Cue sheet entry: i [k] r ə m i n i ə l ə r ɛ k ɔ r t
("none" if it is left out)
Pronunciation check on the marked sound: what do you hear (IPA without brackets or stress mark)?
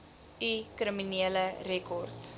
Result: k